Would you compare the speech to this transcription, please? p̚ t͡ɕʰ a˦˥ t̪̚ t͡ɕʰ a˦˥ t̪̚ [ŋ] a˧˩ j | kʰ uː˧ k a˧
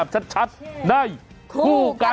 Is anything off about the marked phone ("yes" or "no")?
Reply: yes